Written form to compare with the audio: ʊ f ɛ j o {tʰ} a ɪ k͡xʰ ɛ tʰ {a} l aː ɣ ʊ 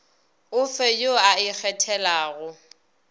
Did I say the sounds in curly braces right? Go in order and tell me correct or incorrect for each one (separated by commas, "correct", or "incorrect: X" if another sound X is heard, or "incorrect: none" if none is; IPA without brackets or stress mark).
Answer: incorrect: none, incorrect: ɛ